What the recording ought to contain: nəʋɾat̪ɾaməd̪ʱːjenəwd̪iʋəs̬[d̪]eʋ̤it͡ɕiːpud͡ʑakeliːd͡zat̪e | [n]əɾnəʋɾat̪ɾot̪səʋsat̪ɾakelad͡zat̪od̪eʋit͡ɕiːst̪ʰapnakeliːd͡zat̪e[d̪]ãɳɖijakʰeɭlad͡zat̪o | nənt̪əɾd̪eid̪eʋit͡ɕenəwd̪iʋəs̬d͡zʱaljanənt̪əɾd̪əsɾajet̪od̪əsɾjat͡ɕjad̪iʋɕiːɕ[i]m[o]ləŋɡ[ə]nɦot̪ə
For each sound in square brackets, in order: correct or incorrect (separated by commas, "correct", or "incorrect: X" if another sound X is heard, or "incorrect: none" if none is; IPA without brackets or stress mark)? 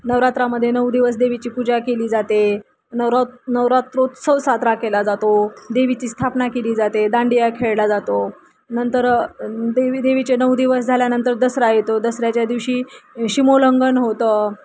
correct, correct, correct, correct, correct, correct